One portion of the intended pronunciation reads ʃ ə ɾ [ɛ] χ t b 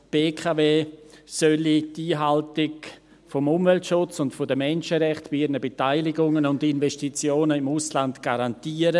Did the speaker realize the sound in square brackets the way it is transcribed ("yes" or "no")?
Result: yes